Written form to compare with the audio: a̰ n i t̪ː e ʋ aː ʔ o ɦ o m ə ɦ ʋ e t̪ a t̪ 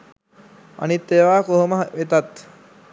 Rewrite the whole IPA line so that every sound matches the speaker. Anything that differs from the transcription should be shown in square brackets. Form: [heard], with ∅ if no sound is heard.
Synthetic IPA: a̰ n i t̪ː e ʋ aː [k] o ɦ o m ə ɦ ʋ e t̪ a t̪